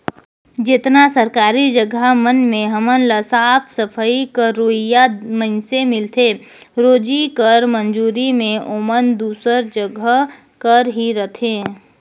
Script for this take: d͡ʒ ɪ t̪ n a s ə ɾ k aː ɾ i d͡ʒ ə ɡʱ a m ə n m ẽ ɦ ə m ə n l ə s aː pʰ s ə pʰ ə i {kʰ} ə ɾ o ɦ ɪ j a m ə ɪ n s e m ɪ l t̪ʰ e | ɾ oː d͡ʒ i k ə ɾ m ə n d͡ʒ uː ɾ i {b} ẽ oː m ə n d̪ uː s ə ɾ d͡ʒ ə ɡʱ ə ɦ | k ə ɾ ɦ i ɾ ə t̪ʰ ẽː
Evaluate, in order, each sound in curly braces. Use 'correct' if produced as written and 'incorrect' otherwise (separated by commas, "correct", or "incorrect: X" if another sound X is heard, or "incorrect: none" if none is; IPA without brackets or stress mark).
incorrect: k, incorrect: m